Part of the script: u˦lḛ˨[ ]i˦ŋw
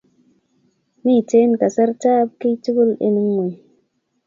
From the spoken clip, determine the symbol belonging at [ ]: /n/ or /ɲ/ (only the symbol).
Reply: n